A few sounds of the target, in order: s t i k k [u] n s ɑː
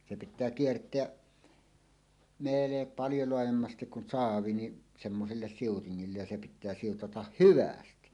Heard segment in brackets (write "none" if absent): u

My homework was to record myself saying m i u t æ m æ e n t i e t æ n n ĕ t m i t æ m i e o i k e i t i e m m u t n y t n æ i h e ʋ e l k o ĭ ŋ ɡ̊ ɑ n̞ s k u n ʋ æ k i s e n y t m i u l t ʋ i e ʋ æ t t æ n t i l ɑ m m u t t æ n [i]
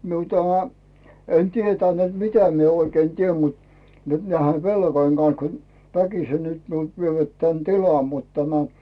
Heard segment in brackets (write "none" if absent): æ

